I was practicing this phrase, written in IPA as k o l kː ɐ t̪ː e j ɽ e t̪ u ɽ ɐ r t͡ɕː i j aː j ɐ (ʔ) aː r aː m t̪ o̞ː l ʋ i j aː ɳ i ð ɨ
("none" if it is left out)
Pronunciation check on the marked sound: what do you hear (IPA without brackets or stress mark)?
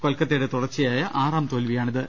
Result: ʔ